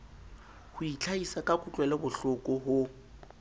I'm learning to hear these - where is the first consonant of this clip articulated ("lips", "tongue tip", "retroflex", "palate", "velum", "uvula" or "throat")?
throat